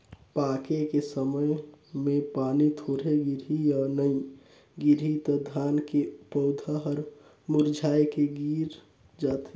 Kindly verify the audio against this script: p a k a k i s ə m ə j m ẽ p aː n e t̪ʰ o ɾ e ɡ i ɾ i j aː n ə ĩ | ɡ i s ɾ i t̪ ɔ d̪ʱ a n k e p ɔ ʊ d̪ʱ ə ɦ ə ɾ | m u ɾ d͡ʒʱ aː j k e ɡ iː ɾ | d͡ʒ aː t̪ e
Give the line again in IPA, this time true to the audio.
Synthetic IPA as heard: p a k e k e s ə m ə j m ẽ p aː n i t̪ʰ o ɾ e ɡ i ɾ i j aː n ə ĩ | ɡ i ɾ i t̪ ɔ d̪ʱ a n k e p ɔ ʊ d̪ʱ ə ɦ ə ɾ | m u ɾ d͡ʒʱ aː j k e ɡ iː ɾ | d͡ʒ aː t̪ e